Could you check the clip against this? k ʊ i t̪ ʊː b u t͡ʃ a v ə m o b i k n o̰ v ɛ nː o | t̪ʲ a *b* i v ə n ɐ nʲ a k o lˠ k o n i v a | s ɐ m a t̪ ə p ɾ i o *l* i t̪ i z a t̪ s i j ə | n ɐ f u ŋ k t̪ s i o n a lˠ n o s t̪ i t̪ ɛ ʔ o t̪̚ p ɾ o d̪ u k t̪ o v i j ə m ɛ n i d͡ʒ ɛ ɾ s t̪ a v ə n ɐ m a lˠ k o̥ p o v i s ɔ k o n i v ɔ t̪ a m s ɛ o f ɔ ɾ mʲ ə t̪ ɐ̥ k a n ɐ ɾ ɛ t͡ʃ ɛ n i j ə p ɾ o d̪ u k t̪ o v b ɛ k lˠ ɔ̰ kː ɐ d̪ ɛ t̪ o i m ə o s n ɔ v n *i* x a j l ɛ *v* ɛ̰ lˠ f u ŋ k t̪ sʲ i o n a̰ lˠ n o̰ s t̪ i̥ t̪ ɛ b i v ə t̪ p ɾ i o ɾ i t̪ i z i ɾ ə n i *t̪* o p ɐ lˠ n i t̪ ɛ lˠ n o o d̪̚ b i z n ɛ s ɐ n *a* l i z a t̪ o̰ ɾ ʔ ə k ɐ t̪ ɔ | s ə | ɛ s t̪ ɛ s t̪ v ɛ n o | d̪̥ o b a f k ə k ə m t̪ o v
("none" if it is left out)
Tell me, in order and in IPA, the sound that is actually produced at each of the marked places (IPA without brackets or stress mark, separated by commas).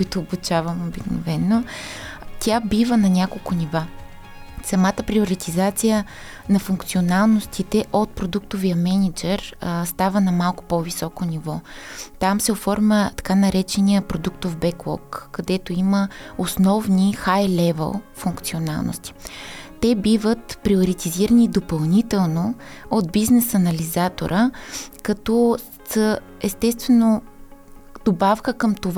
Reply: b, ɾ, i, v, d̪, ɐ